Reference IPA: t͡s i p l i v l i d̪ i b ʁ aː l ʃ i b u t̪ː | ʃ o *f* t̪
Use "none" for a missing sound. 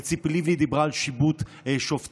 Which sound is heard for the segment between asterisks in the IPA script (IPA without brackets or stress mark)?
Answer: f